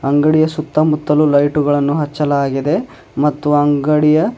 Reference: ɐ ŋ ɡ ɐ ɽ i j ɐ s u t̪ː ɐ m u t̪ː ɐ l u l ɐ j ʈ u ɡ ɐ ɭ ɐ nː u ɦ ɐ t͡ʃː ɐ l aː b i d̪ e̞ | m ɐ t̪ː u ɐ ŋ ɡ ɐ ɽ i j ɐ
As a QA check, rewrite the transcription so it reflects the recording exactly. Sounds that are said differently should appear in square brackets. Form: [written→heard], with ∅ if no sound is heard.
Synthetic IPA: ɐ ŋ ɡ ɐ ɽ i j ɐ s u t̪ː ɐ m u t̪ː ɐ l u l ɐ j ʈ u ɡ ɐ ɭ ɐ nː u ɦ ɐ t͡ʃː ɐ l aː [b→ɡ] i d̪ e̞ | m ɐ t̪ː u ɐ ŋ ɡ ɐ ɽ i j ɐ